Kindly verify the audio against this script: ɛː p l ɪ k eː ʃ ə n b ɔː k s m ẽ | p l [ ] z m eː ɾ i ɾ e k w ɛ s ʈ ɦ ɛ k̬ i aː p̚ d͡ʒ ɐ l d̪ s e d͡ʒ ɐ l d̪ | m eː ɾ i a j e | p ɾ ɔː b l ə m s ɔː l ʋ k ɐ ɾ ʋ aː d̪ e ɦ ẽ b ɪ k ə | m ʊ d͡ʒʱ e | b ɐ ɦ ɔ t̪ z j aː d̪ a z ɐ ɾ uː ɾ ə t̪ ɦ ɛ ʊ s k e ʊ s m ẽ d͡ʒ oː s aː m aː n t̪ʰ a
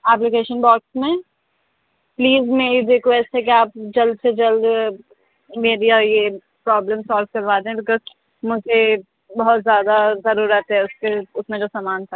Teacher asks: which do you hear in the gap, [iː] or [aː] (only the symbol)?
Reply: iː